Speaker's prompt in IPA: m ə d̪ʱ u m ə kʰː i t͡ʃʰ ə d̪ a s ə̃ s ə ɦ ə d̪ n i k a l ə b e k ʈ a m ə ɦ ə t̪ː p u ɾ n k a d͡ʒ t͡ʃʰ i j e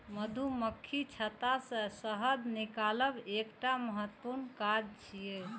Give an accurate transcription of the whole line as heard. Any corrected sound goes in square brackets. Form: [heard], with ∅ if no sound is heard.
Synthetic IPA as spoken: m ə d̪ʱ u m ə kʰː i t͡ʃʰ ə [t̪] a s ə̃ s ə ɦ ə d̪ n i k a l ə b e k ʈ a m ə ɦ ə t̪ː p u ɾ n k a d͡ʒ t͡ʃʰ i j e

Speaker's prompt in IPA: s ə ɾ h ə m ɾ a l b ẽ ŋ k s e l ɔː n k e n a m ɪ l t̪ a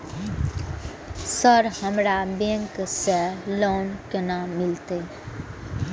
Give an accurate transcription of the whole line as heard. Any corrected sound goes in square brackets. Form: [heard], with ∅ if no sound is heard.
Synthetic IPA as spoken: s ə ɾ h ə m ɾ a [∅] b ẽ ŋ k s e l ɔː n k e n a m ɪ l t̪ [e]

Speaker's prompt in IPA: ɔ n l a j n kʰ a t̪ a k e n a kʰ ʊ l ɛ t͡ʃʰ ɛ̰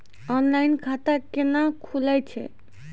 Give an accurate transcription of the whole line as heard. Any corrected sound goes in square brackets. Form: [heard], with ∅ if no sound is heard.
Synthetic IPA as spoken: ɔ n l a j n kʰ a t̪ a k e n a kʰ [u] l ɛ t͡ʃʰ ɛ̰

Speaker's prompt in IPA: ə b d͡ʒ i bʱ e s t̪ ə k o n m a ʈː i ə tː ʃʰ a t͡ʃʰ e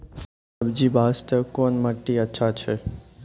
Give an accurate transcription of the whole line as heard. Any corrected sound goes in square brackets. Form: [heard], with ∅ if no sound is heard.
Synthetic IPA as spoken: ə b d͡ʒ i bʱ [a] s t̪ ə k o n m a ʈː i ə tː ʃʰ a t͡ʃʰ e

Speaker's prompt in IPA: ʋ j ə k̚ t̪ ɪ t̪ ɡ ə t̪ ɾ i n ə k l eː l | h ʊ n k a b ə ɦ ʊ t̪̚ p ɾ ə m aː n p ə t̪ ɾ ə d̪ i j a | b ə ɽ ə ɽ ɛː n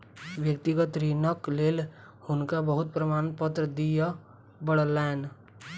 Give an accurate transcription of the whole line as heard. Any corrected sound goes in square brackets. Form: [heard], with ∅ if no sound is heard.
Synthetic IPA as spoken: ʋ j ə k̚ t̪ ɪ [∅] ɡ ə t̪ ɾ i n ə k l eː l | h ʊ n k a b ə ɦ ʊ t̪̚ p ɾ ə m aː n p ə t̪ ɾ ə d̪ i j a | b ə ɽ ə [l] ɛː n

